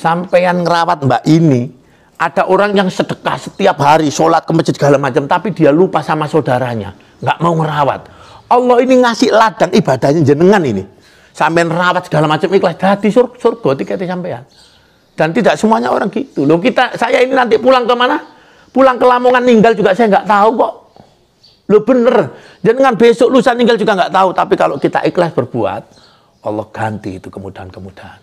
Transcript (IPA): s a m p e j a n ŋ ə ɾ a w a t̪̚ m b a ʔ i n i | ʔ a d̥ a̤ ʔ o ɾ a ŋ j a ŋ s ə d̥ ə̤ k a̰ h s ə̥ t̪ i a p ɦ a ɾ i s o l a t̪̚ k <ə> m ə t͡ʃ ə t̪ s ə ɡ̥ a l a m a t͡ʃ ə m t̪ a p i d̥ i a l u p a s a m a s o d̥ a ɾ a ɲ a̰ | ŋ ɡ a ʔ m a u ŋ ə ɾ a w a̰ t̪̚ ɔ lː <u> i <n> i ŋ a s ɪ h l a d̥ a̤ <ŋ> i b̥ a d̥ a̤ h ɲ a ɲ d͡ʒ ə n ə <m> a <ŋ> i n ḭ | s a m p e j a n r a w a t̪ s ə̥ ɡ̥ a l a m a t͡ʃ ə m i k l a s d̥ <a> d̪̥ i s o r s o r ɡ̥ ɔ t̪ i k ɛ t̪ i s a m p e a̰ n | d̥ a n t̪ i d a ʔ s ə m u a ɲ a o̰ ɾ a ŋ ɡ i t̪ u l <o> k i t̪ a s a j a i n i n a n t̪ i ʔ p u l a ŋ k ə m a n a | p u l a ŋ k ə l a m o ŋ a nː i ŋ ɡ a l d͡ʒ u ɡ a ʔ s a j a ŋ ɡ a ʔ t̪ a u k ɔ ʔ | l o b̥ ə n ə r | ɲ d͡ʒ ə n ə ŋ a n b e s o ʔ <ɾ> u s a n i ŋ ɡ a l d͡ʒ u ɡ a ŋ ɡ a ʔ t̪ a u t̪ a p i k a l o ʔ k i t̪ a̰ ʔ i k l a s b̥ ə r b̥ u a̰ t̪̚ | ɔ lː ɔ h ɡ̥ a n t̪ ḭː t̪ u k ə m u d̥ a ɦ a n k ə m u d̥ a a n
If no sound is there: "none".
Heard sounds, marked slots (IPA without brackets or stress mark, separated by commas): ə, ɔ, n, ŋ, ŋ, n, a, o, l